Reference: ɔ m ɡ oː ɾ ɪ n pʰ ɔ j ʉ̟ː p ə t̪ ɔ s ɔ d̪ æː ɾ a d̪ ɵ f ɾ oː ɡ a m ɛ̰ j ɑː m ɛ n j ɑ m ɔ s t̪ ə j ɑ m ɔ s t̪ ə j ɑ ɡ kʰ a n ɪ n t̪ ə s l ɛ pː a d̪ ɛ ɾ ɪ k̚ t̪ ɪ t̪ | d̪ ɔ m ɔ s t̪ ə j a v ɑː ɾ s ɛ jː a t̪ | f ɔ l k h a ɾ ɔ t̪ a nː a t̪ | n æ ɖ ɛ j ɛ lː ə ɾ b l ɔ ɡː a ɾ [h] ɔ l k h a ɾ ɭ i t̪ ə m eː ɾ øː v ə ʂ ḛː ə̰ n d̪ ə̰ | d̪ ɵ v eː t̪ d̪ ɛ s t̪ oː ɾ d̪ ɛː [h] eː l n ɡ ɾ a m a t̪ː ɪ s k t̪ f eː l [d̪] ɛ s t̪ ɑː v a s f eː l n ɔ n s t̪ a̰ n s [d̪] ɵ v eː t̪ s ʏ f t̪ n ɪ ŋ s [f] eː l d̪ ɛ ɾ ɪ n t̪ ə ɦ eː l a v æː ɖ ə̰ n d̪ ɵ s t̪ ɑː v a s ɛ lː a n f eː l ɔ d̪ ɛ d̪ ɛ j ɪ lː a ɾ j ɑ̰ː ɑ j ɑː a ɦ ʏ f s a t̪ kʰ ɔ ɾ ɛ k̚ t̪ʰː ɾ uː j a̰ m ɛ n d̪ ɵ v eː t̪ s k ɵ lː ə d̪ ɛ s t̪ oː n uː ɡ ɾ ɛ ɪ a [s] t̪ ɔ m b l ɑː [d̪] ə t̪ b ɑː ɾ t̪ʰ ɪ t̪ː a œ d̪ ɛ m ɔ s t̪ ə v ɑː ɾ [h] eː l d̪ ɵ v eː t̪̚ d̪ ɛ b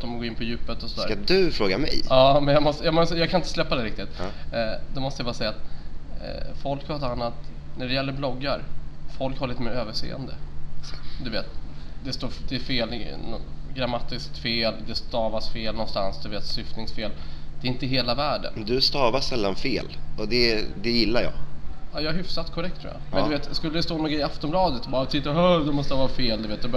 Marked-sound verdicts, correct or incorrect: incorrect: f, incorrect: f, correct, correct, correct, incorrect: f, correct, incorrect: f

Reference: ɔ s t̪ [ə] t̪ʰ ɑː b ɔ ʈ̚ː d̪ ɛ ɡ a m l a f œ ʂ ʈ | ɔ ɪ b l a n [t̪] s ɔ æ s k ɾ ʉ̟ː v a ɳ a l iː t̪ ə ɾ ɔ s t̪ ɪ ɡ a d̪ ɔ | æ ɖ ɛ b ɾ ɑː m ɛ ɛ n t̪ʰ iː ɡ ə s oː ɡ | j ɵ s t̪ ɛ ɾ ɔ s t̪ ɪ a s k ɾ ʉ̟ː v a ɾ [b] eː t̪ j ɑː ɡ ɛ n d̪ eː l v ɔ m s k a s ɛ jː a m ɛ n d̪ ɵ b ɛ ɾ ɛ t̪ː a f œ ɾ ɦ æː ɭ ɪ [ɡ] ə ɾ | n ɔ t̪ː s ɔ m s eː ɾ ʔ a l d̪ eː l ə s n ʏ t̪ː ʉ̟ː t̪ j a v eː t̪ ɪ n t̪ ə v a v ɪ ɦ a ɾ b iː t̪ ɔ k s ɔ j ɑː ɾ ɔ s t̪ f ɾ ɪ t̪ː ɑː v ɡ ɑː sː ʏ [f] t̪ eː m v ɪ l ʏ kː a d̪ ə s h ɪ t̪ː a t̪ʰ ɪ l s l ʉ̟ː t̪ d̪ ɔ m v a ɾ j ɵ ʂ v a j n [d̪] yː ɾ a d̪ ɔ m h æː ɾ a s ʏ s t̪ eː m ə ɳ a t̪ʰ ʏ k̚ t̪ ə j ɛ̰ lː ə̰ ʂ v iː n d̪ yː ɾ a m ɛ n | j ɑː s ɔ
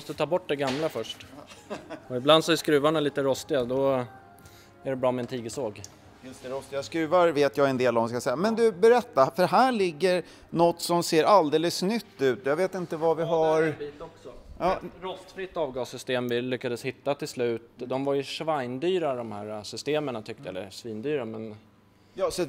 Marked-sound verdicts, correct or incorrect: correct, incorrect: d̪, incorrect: v, incorrect: ɡː, incorrect: s, correct

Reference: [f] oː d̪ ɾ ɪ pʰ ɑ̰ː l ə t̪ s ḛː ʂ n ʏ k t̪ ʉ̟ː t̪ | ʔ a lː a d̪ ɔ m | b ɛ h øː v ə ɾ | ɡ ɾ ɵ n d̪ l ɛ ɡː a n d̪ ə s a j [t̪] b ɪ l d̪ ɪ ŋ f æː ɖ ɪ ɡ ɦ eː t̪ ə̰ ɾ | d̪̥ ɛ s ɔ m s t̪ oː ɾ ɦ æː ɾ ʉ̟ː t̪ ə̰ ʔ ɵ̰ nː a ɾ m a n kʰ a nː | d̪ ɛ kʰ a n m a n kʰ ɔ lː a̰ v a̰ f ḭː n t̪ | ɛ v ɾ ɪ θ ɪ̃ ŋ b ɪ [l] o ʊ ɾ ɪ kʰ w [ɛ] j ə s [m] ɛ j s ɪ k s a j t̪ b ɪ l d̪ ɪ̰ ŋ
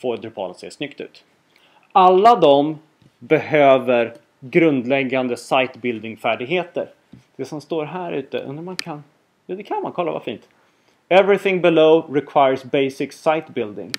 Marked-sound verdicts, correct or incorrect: correct, correct, correct, incorrect: a, incorrect: b

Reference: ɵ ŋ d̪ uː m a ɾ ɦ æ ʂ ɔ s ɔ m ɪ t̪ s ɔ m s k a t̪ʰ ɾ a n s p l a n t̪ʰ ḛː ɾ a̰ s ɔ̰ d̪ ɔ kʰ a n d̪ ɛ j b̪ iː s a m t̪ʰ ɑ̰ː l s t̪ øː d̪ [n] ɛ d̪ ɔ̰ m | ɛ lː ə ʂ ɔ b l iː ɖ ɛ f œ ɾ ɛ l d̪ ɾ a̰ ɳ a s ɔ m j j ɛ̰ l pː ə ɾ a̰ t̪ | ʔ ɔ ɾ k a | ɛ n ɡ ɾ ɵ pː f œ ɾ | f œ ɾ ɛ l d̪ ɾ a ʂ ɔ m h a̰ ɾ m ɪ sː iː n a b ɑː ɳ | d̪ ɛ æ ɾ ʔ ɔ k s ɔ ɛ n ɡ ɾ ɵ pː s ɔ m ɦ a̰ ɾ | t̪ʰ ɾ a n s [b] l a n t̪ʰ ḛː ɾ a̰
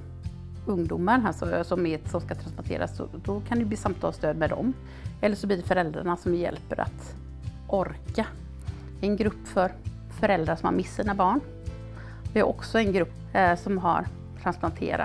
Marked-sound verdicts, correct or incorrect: incorrect: m, incorrect: p

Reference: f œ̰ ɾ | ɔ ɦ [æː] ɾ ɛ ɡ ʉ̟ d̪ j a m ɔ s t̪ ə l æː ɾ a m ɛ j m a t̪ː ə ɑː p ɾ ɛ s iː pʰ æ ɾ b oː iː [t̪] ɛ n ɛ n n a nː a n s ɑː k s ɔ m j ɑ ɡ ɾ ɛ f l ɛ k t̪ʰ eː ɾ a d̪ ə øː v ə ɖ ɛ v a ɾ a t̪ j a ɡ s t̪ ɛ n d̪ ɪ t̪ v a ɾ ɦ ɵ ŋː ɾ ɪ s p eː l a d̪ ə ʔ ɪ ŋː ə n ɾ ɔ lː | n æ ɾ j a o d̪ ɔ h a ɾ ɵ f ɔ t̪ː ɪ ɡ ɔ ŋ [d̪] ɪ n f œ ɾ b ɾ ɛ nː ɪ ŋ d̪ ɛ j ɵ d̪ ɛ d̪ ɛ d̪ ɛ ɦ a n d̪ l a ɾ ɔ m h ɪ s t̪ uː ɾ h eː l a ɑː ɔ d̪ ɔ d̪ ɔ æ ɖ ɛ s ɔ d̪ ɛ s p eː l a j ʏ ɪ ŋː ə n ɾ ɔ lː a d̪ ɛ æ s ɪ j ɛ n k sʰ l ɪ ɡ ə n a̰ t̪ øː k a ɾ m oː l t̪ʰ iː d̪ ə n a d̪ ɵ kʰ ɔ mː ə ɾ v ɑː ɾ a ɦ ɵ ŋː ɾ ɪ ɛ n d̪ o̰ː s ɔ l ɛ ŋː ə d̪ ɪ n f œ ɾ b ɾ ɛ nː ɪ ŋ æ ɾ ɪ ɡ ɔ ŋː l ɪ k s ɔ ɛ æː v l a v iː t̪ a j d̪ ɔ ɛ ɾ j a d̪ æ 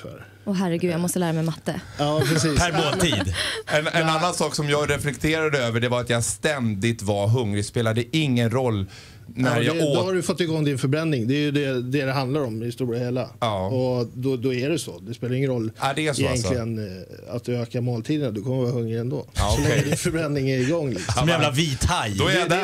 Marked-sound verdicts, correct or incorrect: incorrect: æ, incorrect: d̪, correct

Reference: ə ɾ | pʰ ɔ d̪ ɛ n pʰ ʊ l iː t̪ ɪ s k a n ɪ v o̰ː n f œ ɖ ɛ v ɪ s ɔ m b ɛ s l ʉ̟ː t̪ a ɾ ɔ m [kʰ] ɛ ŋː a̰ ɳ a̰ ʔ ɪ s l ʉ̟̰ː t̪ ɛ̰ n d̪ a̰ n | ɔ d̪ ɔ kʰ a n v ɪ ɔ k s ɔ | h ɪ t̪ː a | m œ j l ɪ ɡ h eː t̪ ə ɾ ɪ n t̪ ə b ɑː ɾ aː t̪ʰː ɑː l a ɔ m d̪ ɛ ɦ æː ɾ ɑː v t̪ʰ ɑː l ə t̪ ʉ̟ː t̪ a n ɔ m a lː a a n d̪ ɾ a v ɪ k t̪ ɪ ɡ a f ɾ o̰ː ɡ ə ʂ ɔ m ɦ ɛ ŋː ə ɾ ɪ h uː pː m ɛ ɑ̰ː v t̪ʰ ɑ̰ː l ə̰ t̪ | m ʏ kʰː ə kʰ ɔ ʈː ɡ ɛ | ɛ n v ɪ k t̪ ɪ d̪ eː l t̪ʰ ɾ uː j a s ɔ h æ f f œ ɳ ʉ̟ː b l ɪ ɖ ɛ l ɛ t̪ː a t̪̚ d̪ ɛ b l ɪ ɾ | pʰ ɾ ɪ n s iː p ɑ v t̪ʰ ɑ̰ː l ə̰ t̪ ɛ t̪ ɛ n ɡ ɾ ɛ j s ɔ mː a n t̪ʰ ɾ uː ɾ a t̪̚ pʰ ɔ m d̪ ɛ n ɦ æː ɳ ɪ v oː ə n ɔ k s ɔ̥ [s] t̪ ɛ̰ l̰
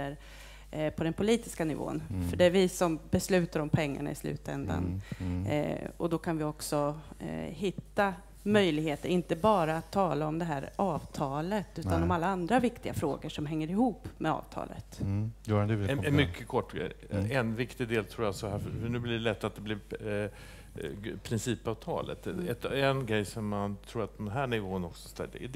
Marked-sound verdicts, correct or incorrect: incorrect: pʰ, correct

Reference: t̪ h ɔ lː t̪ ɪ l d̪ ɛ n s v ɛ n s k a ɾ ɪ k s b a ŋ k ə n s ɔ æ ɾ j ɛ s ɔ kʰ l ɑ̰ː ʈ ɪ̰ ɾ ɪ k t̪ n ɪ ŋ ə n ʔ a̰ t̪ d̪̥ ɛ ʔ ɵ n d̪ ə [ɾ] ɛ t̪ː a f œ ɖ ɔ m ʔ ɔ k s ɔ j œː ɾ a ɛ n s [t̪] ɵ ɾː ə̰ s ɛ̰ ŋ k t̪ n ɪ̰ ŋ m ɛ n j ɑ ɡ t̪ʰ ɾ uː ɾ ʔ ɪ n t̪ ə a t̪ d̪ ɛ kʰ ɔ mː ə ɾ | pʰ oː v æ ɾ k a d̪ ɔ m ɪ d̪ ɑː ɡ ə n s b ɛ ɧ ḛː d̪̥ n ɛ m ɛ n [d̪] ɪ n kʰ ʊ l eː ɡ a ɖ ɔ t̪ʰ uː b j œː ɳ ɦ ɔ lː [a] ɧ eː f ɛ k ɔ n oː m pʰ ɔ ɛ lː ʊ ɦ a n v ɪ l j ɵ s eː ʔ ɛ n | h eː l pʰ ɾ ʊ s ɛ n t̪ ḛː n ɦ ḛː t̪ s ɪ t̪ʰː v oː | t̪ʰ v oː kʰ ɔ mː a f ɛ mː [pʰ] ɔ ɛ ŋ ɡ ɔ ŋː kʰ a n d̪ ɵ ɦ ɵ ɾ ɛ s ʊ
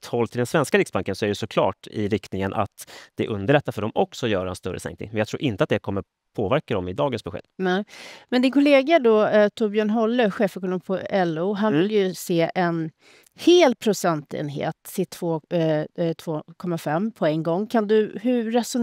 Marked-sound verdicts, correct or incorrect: incorrect: ɭ, correct, correct, incorrect: ə, correct

